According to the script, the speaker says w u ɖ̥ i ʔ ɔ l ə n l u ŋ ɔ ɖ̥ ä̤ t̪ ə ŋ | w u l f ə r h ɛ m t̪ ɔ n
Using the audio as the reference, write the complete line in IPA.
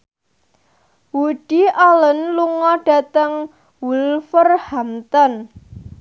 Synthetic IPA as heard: w u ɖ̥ i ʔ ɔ l ə n l u ŋ ɔ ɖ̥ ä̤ t̪ ə ŋ | w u l f ə r h a m t̪ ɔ n